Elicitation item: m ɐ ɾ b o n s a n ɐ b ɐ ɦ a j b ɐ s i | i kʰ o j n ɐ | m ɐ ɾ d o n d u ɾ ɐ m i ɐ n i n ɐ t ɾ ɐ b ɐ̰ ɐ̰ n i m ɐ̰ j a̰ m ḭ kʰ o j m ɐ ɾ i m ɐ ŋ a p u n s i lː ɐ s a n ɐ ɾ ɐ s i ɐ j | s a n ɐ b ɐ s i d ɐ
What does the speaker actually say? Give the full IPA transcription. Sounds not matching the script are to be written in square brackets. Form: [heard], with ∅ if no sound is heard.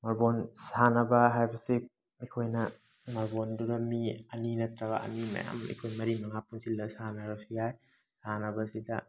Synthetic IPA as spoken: m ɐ ɾ b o n s a n ɐ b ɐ ɦ a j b ɐ s i | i kʰ o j n ɐ | m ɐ ɾ [b] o n d u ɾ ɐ m i ɐ n i n ɐ t ɾ ɐ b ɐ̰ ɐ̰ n i m ɐ̰ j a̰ m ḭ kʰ o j m ɐ ɾ i m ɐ ŋ a p u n s i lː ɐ s a n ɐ ɾ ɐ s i [a] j | s a n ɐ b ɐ s i d ɐ